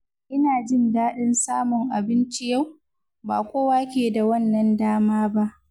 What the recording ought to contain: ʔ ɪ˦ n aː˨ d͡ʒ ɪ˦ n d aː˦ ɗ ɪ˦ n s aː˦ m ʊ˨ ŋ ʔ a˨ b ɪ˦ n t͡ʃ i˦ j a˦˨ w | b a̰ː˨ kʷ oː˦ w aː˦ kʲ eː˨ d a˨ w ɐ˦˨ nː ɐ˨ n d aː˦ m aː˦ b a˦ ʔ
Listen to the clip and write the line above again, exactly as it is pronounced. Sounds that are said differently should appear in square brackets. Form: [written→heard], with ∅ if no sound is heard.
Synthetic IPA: ʔ ɪ˦ n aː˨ d͡ʒ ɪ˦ n d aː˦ ɗ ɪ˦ n s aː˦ m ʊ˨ ŋ ʔ a˨ b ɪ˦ n t͡ʃ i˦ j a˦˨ w | b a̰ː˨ kʷ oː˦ w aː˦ kʲ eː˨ d a˨ w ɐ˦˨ nː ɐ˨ n d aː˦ m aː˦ b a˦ ʔ

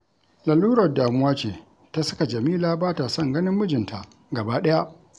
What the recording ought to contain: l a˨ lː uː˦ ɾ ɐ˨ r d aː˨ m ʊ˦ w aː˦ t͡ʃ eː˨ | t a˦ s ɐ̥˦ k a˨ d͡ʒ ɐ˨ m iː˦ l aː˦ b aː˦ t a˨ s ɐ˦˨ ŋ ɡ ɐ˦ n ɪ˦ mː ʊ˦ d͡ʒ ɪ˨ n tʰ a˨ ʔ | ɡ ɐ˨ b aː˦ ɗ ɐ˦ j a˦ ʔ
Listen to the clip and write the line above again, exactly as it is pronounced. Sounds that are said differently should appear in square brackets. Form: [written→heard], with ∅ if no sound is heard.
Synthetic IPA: l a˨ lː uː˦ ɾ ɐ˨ r d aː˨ m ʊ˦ w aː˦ t͡ʃ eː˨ | t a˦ s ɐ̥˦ k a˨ d͡ʒ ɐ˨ m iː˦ l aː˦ b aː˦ t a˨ s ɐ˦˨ ŋ ɡ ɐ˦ n ɪ˦ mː ʊ˦ d͡ʒ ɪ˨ n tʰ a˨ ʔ | ɡ ɐ˨ b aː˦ ɗ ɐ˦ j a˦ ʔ

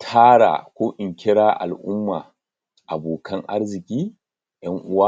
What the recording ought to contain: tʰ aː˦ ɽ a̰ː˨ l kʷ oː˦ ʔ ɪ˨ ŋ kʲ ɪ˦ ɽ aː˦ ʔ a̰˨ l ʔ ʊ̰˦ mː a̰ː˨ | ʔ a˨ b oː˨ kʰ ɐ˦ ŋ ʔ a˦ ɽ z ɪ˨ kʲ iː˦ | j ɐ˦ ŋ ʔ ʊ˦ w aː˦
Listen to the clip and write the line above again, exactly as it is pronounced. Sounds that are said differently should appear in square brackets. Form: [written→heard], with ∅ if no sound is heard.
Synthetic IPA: tʰ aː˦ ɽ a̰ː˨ [l→∅] kʷ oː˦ ʔ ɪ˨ ŋ kʲ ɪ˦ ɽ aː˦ ʔ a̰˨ l ʔ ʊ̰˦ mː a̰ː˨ | ʔ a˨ b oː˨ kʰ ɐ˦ ŋ ʔ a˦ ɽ z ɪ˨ kʲ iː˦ | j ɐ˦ ŋ ʔ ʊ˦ w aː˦

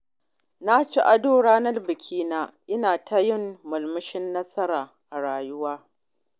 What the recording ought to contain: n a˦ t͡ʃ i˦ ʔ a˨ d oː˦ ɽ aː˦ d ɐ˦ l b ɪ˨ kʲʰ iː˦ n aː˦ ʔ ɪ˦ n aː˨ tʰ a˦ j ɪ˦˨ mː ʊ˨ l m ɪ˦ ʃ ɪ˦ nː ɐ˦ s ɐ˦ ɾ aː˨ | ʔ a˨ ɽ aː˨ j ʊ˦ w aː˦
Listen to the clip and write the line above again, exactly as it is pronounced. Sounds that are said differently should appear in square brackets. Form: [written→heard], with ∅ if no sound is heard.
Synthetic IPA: n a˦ t͡ʃ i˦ ʔ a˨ d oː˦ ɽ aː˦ [d→n] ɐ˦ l b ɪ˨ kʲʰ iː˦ n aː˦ ʔ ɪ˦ n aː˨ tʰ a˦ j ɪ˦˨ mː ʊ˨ l m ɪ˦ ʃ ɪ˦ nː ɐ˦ s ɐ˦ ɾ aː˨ | ʔ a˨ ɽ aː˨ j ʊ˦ w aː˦

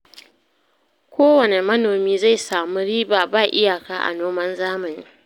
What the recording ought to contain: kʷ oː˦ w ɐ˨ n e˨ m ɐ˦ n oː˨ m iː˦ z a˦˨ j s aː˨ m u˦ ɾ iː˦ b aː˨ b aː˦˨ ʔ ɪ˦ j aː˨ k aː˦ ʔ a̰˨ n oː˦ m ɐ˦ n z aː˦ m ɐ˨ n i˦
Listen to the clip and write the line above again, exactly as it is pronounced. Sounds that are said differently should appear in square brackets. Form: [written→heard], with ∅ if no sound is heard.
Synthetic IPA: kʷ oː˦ w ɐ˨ n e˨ m ɐ˦ n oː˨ m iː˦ z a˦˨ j s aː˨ m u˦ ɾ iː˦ b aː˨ b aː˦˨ ʔ ɪ˦ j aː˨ k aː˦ ʔ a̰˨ n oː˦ m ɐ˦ n z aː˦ m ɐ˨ n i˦

